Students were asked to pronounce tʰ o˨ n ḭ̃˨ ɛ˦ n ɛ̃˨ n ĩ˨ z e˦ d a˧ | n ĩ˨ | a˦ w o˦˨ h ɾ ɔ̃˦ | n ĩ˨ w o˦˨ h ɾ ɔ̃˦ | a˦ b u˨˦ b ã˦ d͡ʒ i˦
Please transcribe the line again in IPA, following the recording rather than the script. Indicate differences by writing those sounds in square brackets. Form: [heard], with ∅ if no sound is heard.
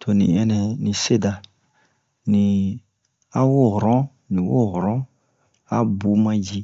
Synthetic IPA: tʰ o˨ n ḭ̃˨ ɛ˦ n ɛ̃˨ n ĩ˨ [s] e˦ d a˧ | n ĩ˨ | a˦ w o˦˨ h ɾ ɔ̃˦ | n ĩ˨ w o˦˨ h ɾ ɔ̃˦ | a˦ b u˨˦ [m] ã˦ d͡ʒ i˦